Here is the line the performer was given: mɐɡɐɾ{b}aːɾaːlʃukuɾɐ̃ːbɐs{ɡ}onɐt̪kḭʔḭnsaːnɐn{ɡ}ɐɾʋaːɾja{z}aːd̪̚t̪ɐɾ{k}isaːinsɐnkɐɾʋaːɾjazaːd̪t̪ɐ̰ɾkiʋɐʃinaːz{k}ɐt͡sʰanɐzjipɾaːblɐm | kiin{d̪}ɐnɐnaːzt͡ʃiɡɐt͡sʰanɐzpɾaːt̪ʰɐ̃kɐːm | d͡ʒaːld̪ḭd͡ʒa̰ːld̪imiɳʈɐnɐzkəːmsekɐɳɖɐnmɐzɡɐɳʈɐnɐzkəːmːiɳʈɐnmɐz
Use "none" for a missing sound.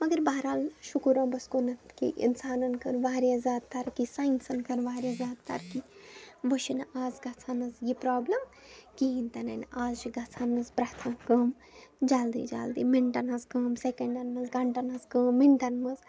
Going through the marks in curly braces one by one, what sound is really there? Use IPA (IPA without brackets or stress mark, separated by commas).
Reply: b, k, k, z, k, ɡ, t̪